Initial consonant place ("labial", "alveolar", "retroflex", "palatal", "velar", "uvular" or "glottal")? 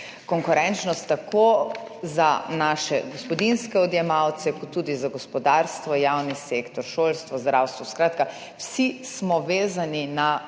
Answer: velar